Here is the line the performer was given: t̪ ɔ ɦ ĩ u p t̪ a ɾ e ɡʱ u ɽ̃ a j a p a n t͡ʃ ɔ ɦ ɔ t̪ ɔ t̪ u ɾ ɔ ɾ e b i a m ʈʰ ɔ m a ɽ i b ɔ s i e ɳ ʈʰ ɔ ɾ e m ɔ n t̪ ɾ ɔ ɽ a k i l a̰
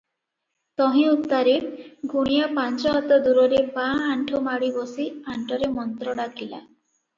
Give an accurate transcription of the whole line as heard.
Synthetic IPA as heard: t̪ ɔ ɦ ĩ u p t̪ a ɾ e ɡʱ u ɽ̃ i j a p a n t͡ʃ ɔ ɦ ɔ t̪ ɔ d̪ u ɾ ɔ ɾ e b a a ɳ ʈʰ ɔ m a ɽ i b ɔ s i a ɳ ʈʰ ɔ ɾ e m ɔ n t̪ ɾ ɔ ɽ a k i l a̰